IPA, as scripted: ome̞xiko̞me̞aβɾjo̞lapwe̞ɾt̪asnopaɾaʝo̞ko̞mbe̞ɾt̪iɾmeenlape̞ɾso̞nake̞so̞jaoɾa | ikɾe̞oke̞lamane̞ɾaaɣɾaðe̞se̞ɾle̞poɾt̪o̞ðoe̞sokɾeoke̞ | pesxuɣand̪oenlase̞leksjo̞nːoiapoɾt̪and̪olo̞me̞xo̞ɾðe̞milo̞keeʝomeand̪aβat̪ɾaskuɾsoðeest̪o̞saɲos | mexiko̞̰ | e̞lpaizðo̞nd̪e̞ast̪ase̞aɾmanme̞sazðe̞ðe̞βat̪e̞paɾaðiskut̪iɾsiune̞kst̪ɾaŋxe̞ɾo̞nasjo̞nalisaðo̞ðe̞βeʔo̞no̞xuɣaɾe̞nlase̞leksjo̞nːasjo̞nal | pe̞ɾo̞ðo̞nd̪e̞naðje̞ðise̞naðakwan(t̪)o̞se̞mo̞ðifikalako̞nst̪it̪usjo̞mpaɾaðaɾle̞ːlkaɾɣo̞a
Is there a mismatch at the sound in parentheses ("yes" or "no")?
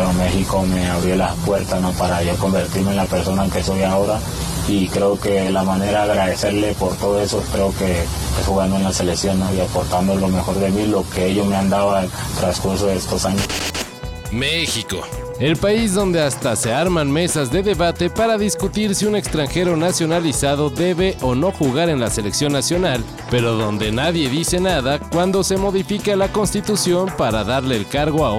yes